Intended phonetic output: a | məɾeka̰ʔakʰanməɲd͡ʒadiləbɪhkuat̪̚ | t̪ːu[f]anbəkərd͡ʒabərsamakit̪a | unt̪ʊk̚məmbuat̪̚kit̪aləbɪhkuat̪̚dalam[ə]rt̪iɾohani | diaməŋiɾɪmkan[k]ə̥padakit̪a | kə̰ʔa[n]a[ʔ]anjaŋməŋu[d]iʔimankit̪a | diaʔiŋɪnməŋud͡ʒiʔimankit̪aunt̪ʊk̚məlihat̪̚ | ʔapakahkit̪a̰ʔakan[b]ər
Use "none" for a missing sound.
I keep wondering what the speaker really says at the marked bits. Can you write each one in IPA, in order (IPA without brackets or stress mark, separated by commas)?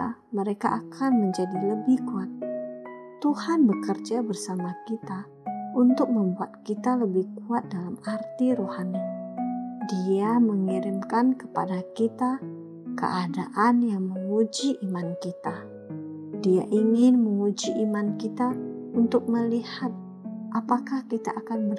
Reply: h, a, k, d, ʔ, d͡ʒ, b